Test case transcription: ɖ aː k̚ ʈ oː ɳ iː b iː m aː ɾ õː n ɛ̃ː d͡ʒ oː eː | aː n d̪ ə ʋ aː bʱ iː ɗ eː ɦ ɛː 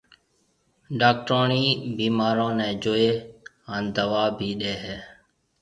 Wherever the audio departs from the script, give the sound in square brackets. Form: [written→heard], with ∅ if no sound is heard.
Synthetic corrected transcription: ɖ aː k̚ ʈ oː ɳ iː b iː m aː ɾ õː n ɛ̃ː d͡ʒ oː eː | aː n d̪ ə ʋ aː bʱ iː ɗ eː ɦ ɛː